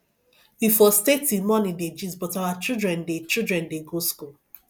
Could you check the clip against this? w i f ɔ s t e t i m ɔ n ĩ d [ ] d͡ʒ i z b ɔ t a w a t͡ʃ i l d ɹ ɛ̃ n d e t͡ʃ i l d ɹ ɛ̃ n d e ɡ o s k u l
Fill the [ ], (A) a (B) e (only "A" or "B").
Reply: B